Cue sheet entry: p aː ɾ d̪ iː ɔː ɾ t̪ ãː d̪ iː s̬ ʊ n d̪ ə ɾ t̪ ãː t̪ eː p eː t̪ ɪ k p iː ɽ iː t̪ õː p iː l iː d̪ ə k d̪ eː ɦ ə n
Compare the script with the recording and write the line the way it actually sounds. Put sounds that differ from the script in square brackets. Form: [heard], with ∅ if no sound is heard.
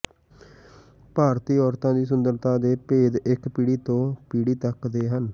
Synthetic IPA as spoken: p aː ɾ [t̪] iː ɔː ɾ t̪ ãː d̪ iː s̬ ʊ n d̪ ə ɾ t̪ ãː [d̪] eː p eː [d̪] ɪ k p iː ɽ iː t̪ õː p iː [ɽ] iː [t̪] ə k d̪ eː ɦ ə n